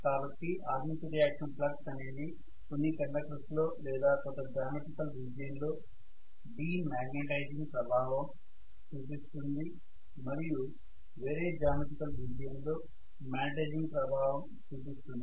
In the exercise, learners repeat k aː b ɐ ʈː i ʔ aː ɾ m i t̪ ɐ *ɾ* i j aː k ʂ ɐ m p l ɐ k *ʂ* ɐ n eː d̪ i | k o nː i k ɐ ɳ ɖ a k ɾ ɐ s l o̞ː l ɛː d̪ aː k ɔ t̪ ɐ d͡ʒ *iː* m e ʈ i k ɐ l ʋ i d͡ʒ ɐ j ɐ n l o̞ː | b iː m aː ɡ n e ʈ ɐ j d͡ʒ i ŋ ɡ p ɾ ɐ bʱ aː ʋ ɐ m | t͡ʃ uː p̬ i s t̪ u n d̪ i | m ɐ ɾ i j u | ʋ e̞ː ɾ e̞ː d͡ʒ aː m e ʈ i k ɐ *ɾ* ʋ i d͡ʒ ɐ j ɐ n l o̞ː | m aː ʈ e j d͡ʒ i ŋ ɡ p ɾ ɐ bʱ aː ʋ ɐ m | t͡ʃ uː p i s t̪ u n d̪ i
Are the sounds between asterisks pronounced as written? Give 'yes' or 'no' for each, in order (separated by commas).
yes, no, no, no